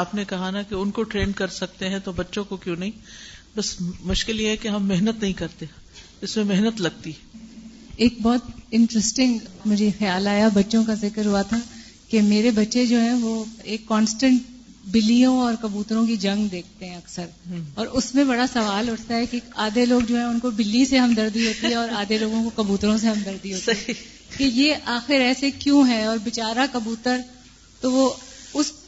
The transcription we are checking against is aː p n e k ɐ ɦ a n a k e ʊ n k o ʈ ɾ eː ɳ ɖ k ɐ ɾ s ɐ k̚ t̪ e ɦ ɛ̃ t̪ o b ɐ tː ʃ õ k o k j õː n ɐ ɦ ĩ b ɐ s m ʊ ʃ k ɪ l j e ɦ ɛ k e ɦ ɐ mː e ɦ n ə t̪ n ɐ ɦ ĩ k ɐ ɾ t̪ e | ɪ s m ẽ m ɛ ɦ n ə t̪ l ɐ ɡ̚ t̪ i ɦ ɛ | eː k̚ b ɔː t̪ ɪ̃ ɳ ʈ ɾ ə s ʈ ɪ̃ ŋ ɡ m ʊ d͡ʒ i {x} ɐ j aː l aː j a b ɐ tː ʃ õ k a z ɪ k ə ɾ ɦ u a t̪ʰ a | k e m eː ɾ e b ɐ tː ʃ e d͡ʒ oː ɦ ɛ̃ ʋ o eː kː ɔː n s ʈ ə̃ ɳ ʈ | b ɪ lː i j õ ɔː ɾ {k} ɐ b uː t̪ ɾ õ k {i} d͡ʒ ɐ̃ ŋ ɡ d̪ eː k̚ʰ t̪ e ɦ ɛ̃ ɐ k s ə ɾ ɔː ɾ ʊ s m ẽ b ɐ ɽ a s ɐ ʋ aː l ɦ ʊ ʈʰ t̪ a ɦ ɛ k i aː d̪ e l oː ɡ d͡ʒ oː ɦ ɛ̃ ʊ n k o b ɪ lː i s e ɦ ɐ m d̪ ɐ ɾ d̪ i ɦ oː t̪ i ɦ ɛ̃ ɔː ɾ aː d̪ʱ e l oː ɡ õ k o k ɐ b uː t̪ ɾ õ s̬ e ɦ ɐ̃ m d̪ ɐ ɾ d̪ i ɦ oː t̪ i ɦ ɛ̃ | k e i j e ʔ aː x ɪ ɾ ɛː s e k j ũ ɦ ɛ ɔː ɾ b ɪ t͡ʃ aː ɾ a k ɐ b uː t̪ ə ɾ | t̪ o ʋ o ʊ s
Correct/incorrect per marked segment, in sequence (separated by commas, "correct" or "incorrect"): correct, correct, correct